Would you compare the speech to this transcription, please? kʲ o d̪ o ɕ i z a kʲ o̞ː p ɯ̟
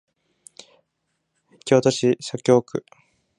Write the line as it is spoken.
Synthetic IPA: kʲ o t̪ o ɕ i s a kʲ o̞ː k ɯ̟